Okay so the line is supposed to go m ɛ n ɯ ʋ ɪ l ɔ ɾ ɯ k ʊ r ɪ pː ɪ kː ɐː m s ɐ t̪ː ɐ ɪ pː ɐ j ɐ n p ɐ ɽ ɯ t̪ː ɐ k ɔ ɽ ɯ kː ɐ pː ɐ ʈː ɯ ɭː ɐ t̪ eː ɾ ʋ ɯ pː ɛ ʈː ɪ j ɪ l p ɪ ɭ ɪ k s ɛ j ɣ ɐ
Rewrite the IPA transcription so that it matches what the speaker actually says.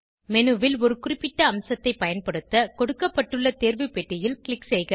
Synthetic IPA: m ɛ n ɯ ʋ ɪ l ɔ ɾ ɯ k ʊ r ɪ pː ɪ ʈː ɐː m s ɐ t̪ː ɐ ɪ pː ɐ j ɐ n p ɐ ɽ ɯ t̪ː ɐ k ɔ ɽ ɯ kː ɐ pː ɐ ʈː ɯ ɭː ɐ t̪ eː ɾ ʋ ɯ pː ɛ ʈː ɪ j ɪ l k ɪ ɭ ɪ k s ɛ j ɣ ɐ